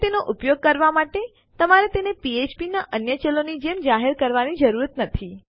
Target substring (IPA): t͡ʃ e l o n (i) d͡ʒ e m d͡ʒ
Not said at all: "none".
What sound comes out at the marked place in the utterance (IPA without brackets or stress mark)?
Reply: i